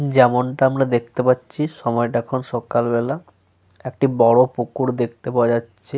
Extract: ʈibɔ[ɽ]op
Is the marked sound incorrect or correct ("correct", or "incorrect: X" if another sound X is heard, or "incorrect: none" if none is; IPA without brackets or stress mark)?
correct